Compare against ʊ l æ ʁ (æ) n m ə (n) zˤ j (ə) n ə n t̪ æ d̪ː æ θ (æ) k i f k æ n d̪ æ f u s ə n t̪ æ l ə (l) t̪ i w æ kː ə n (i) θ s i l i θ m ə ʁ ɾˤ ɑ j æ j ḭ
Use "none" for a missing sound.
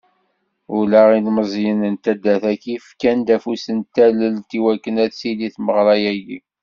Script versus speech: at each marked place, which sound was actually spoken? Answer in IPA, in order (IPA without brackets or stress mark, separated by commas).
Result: i, none, ə, æ, l, æ